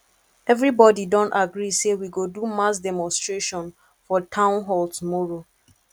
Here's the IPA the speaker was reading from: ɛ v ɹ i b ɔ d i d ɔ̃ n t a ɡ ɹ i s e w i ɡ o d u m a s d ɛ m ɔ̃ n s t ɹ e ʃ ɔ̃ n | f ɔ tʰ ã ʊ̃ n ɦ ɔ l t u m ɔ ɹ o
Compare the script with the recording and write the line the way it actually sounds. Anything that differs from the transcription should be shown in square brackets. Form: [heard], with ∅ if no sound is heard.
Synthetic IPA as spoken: ɛ v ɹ i b ɔ d i d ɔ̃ n t a ɡ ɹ i s e w i ɡ o d u m a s d ɛ m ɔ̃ n s t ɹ e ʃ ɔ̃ n | f ɔ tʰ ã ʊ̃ n ɦ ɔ l t u m ɔ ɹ o

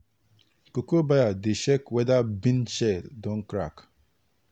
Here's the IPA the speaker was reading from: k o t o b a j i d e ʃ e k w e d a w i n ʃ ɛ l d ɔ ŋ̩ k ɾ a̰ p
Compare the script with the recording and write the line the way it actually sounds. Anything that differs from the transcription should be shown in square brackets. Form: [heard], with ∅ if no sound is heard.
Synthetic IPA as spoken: k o [k] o b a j [a] d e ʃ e k w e d a [b] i n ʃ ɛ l d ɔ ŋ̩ k ɾ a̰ [k]

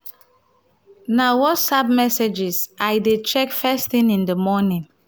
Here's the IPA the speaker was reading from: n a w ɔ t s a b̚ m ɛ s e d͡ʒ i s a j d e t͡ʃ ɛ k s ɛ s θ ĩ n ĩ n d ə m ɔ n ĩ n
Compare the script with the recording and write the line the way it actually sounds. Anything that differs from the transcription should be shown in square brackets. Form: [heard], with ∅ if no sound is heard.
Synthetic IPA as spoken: n a w ɔ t s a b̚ m ɛ s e d͡ʒ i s a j d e t͡ʃ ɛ k [f] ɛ s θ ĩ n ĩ n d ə m ɔ n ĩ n

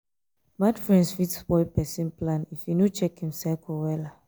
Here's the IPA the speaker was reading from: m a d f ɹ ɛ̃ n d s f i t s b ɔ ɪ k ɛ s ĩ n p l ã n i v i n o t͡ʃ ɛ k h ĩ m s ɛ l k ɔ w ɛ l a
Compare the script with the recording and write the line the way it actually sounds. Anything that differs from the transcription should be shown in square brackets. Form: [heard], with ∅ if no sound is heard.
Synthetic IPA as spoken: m a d f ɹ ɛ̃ n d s f i t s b ɔ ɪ [p] ɛ s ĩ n p l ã n i [f] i n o t͡ʃ ɛ k h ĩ m s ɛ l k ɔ w ɛ l a

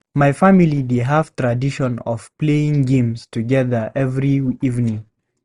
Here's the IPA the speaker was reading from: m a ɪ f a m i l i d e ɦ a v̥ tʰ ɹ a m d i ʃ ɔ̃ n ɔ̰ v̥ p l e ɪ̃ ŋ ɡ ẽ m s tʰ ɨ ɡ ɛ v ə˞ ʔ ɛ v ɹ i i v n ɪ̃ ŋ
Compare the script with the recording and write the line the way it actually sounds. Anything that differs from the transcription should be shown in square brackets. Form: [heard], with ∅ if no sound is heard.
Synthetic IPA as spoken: m a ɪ f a m i l i d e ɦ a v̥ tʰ ɹ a [∅] d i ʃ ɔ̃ n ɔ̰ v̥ p l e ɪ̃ ŋ ɡ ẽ m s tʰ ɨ ɡ ɛ [ð] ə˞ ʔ ɛ v ɹ i i v n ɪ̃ ŋ

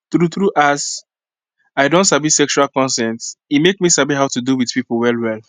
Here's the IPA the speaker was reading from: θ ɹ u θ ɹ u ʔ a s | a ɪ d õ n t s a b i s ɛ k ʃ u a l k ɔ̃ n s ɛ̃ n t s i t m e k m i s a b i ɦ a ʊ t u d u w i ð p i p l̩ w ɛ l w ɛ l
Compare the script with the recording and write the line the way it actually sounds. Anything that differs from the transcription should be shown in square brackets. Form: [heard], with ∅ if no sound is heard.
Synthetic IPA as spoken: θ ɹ u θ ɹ u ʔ a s | a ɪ d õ n t s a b i s ɛ k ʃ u a l k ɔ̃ n s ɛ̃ n t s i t m e k m i s a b i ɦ a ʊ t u d u w i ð p i p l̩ w ɛ l w ɛ l

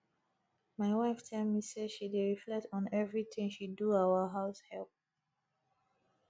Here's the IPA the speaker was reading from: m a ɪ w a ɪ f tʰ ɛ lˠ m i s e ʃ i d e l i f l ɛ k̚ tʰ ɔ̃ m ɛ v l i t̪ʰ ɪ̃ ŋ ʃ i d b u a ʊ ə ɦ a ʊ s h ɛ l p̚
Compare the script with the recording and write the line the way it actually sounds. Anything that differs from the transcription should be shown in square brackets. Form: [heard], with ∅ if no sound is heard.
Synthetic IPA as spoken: m a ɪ w a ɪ f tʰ ɛ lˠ m i s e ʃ i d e [ɹ] i f l ɛ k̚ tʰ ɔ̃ [n] ɛ v [ɹ] i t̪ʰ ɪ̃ ŋ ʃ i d [d] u a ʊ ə ɦ a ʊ s h ɛ l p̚

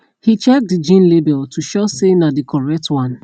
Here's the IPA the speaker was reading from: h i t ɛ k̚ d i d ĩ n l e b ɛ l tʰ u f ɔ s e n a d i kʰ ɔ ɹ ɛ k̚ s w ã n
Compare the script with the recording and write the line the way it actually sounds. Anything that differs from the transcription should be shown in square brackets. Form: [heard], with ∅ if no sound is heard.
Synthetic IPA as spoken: h i [t͡ʃ] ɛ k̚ d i [d͡ʒ] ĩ n l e b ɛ l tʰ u [ʃ] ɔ s e n a d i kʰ ɔ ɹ ɛ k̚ [t] w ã n

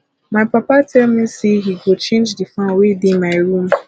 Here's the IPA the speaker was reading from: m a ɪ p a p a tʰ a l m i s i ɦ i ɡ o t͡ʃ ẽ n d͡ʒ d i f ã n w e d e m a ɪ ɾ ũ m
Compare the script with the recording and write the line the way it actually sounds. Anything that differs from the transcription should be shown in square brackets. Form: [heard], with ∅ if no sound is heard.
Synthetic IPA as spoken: m a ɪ p a p a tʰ [ɛ] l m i s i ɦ i ɡ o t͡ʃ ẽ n d͡ʒ d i f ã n w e d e m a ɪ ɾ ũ m

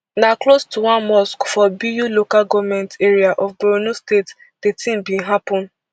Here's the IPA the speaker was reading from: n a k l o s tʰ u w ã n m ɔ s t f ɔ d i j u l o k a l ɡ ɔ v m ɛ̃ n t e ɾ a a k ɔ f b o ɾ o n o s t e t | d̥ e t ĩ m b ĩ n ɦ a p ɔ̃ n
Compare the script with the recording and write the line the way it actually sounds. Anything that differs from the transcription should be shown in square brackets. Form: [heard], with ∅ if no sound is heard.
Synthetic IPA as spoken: n a k l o s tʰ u w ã n m ɔ s [k] f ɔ [b] i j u l o k a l ɡ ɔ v m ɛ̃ n t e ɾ [i] a [ʔ] ɔ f b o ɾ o n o s t e t | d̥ e t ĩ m b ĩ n ɦ a p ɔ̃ n

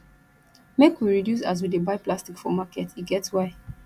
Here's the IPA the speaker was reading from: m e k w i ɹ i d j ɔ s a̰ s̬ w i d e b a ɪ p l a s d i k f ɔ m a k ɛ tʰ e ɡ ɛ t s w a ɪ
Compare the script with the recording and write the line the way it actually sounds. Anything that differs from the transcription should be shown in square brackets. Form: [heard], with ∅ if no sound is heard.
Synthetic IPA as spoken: m e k w i ɹ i d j [u] s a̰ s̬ w i d e b a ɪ p l a s [t] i k f ɔ m a k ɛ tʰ [i] ɡ ɛ t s w a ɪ

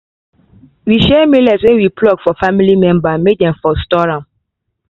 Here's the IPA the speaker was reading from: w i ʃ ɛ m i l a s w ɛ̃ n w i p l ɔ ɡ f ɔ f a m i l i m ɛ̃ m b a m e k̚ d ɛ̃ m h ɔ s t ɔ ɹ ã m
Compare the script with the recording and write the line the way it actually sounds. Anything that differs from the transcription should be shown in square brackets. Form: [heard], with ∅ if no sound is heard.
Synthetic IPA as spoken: w i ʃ ɛ m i l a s w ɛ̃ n w i p l ɔ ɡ f ɔ f a m i l i m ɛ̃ m b a m e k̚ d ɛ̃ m [f] ɔ s t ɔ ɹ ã m

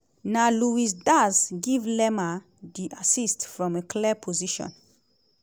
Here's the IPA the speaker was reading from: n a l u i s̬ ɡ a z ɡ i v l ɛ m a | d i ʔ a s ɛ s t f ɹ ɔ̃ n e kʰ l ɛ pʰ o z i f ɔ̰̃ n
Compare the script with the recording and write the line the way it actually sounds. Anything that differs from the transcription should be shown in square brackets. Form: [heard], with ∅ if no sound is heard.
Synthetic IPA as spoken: n a l u i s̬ [d] a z ɡ i v l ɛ m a | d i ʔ a s [i] s t f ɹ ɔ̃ [m] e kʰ l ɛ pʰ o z i [ʃ] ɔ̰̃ n

